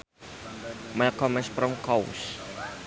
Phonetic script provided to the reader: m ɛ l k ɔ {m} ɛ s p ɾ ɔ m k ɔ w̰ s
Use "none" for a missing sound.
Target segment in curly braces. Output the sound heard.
m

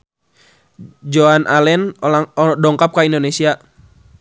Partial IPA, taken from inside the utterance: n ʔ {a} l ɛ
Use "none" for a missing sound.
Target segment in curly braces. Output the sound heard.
a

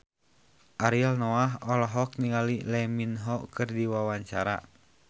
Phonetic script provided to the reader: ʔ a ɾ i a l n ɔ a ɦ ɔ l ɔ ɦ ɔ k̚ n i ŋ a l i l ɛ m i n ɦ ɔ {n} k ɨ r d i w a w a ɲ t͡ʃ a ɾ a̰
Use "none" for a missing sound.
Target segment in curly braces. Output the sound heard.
none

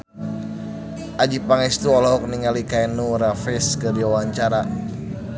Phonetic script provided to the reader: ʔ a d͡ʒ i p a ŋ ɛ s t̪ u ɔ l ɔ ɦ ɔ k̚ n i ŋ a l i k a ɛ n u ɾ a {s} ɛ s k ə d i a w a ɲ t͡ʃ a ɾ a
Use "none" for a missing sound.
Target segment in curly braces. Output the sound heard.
f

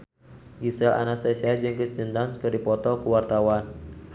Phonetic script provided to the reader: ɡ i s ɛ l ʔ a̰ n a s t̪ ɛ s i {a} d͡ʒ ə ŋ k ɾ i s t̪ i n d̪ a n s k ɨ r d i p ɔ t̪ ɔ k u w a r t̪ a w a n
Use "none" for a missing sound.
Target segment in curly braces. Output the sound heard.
a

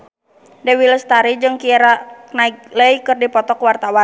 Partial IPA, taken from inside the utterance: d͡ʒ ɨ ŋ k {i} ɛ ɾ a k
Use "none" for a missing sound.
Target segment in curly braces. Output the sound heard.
i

